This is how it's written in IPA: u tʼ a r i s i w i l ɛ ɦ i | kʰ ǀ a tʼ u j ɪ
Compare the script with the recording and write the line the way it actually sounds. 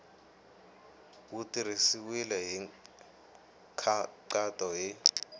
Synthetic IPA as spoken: u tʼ i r i s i w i l ɛ ɦ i | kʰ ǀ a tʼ ɔ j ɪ